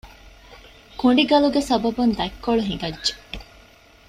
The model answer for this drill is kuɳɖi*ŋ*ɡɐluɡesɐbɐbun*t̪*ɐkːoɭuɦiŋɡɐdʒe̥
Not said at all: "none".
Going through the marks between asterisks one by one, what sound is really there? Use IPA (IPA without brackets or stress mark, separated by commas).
none, d̪